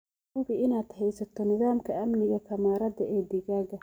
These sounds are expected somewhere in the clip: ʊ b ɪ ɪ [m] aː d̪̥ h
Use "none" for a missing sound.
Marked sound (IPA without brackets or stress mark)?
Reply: n